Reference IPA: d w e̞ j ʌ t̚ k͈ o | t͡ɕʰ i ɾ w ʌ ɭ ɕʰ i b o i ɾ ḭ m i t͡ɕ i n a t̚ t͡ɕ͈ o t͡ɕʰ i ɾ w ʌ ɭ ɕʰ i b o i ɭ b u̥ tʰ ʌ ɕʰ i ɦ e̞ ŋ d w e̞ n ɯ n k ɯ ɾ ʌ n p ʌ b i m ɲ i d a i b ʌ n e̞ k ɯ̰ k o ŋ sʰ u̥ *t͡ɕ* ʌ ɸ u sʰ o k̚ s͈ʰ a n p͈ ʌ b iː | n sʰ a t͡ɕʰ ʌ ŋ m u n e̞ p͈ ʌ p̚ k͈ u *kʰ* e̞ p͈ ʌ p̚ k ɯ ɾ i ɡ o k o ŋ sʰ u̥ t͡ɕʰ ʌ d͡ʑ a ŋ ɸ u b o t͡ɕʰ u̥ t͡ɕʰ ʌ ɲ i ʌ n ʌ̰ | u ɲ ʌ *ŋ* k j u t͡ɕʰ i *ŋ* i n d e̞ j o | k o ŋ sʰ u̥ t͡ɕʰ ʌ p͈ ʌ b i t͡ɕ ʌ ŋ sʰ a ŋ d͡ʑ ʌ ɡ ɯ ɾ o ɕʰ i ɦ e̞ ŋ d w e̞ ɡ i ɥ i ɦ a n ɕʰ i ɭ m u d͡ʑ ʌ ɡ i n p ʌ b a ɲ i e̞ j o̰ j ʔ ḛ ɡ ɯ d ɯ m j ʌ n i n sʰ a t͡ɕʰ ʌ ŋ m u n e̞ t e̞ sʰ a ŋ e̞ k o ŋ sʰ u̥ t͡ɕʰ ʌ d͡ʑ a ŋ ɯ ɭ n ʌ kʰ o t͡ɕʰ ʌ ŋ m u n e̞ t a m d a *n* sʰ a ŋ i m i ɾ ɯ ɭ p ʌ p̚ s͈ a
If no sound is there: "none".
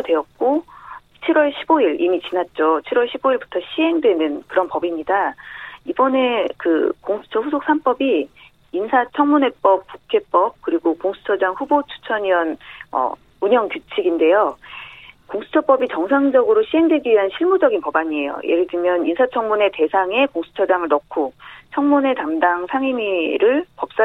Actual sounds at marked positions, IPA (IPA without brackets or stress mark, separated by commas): t͡ɕʰ, kʰ, ŋ, ɡ, ŋ